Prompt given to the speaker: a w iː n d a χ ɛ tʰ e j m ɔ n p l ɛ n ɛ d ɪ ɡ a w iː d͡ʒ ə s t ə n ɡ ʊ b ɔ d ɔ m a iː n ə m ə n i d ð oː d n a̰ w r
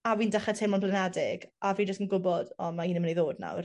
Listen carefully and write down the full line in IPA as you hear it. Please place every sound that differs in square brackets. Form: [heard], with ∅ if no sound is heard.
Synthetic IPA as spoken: a w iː n d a χ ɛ tʰ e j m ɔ n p l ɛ n ɛ d ɪ ɡ a [v] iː d͡ʒ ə s t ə n ɡ ʊ b ɔ d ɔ m a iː n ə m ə n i [∅] ð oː d n a̰ w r